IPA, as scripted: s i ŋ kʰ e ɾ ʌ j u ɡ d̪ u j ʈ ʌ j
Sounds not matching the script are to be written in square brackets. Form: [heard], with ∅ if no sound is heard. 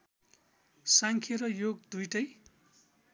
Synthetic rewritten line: s [a] ŋ kʰ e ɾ ʌ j [o] ɡ d̪ u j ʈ ʌ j